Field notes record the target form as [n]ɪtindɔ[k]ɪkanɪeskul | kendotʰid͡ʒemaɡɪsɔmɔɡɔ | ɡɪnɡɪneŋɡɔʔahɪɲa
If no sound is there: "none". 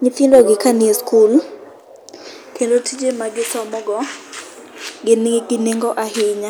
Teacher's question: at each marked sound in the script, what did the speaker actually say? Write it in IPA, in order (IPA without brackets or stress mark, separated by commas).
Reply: ɲ, ɡ